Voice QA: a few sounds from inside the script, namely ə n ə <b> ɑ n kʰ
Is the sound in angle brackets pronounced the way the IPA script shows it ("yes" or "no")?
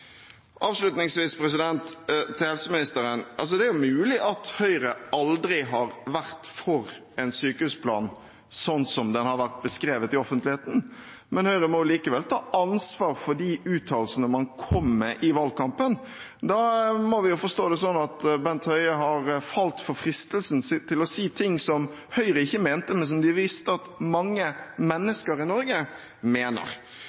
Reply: no